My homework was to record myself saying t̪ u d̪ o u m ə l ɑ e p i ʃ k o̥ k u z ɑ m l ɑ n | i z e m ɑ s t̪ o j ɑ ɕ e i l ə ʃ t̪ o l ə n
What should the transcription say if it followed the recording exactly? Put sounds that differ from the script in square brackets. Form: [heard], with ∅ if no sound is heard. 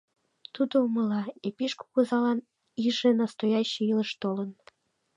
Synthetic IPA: t̪ u d̪ o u m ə l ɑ e p i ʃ k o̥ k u z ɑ [∅] l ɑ n | i [ʒ] e [n] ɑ s t̪ o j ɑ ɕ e i l ə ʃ t̪ o l ə n